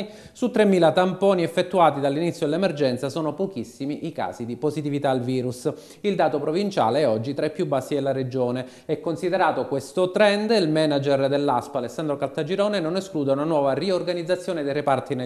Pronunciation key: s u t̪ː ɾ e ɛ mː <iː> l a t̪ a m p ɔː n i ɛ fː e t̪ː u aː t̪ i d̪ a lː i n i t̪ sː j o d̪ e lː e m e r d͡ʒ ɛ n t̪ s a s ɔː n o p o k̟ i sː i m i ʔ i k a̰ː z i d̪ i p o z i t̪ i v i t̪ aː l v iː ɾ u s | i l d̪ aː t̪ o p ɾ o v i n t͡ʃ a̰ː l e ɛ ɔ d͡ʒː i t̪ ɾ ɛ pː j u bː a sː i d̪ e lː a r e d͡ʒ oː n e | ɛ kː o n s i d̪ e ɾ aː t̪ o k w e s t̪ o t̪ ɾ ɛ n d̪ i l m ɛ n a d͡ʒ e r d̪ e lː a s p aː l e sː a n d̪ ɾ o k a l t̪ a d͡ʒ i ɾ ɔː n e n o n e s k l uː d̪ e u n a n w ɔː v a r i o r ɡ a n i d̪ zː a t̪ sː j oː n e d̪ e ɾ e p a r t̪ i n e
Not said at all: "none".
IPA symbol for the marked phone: iː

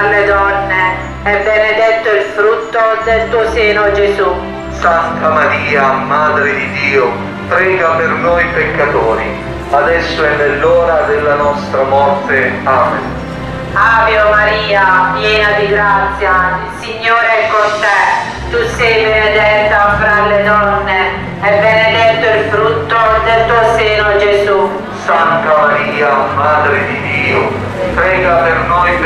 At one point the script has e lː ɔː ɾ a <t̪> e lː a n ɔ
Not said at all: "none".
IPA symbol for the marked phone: d̪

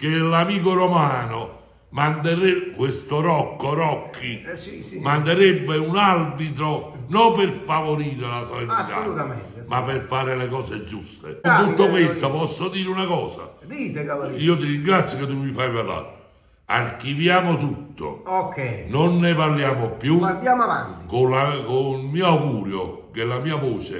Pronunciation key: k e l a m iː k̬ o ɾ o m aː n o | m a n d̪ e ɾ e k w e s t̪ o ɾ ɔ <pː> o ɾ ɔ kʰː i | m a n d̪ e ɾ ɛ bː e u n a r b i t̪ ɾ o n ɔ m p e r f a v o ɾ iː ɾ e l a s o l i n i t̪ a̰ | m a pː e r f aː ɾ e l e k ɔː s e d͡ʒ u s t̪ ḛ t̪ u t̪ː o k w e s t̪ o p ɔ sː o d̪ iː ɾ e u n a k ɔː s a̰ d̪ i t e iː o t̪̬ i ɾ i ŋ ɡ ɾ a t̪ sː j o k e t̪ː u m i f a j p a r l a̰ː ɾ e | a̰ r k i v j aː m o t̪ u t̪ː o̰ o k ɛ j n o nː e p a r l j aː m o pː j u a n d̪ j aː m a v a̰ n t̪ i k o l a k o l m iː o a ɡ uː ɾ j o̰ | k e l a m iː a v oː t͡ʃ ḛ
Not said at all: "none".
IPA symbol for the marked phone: kː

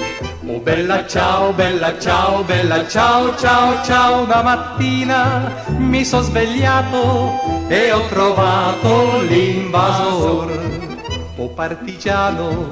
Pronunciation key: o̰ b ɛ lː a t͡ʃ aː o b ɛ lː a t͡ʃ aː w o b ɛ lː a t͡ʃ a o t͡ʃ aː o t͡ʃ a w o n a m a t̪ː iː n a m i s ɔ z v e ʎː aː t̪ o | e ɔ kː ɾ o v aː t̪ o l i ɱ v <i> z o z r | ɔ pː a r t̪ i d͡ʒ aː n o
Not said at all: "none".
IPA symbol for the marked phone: a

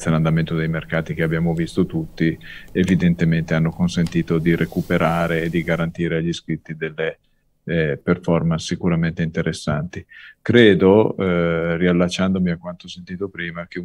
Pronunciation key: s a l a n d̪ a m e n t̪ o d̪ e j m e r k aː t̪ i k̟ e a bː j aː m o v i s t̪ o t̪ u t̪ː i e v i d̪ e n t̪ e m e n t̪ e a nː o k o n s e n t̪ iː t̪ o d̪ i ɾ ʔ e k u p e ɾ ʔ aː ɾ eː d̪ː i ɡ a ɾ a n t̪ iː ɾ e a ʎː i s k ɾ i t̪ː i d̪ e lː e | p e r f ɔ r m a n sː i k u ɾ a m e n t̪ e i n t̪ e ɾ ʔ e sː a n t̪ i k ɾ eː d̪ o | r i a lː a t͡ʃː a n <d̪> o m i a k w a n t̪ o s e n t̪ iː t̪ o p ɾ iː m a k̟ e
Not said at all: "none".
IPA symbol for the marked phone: d̪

